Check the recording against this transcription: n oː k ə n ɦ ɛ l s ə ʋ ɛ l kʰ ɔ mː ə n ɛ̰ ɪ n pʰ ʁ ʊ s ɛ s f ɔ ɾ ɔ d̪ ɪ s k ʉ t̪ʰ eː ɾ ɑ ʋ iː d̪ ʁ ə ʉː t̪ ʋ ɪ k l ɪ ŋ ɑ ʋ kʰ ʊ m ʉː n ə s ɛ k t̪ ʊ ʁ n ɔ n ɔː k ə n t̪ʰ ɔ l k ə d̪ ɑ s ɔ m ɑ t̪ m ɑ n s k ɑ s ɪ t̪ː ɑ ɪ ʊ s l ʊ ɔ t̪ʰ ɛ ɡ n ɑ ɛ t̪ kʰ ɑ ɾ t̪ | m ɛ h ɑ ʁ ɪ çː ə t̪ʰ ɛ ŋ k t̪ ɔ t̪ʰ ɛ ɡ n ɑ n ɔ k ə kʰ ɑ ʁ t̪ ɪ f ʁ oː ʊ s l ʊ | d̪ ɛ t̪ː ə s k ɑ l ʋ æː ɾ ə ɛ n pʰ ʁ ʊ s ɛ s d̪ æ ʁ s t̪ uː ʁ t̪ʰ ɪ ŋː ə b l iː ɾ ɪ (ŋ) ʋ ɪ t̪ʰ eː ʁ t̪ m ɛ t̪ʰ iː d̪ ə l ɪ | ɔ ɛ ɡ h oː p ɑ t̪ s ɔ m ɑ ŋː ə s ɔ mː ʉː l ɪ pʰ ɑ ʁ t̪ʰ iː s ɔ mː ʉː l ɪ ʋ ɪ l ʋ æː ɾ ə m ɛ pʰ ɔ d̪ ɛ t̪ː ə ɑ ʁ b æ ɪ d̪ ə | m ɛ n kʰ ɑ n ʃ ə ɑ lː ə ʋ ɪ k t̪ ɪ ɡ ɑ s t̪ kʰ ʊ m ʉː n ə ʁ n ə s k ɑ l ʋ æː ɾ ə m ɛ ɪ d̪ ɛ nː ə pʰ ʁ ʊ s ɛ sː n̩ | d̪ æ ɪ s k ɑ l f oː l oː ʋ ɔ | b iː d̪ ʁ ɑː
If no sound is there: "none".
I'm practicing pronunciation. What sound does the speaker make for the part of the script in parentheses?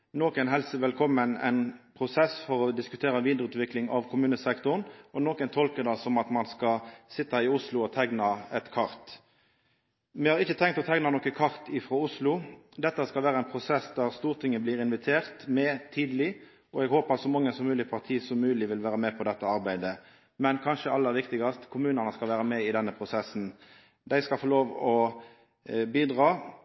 n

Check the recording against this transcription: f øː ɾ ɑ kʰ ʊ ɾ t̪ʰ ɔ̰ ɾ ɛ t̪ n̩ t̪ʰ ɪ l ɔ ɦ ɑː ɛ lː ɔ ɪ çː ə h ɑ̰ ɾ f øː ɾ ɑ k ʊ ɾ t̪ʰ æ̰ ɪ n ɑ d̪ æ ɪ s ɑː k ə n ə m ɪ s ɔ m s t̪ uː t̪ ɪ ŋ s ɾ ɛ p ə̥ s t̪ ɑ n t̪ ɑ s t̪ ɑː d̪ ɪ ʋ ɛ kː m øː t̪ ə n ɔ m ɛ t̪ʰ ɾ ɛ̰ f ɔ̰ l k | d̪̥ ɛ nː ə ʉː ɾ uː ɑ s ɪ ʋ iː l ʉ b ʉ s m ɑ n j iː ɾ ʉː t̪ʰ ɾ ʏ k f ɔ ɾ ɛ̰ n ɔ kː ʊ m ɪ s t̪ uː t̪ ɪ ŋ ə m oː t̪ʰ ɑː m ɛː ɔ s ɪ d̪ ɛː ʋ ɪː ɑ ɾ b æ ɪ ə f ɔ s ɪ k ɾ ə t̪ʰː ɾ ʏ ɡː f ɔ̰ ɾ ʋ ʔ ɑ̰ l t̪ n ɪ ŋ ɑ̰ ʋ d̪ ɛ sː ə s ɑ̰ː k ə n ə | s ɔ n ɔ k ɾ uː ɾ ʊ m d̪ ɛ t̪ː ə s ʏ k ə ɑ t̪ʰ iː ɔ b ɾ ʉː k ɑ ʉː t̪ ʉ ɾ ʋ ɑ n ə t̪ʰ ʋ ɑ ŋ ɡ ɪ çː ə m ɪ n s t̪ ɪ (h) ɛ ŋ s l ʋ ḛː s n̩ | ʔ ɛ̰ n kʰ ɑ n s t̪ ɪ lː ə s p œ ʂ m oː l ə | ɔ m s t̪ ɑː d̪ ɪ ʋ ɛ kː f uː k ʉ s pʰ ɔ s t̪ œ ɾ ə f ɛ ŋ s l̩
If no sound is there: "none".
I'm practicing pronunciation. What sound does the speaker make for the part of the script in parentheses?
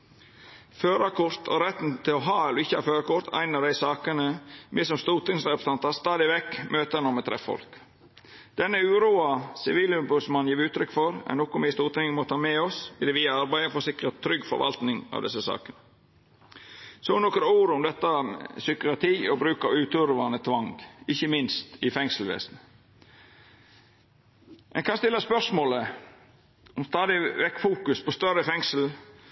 f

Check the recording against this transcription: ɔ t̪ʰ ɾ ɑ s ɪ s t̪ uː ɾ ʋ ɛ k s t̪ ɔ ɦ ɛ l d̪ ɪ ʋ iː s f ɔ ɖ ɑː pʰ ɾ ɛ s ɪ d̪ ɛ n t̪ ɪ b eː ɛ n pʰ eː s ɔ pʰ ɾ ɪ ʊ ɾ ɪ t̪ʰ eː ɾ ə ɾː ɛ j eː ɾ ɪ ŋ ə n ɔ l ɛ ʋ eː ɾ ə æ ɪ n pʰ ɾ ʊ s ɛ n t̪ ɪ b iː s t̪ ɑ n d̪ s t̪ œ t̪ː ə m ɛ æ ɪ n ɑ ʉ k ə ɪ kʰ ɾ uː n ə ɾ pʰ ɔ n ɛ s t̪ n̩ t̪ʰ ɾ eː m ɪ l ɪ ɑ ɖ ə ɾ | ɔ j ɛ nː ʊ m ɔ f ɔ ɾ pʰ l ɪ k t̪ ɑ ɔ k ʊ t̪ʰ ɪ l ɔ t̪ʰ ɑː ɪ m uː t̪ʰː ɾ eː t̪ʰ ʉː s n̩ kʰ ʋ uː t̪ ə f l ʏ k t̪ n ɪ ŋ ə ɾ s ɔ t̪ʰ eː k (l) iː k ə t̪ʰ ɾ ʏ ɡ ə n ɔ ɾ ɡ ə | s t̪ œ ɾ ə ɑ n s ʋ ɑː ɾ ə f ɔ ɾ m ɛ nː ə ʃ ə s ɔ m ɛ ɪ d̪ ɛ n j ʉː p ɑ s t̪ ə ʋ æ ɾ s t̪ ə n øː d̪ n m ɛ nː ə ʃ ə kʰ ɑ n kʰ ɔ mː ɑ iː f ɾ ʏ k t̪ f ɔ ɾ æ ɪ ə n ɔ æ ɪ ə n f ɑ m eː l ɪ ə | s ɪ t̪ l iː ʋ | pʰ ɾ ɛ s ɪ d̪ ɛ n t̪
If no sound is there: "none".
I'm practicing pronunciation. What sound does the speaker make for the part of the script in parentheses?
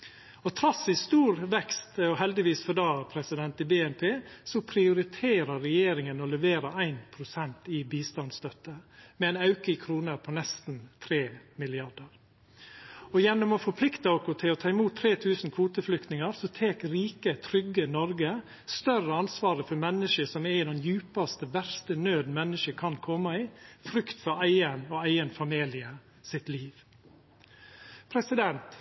ɾ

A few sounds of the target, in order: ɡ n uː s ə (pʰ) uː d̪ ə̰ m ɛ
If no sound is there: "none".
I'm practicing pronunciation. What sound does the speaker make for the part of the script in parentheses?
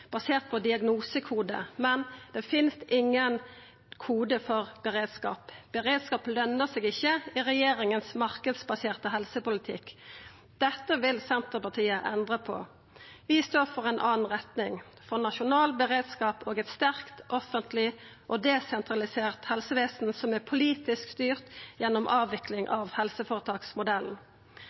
kʰ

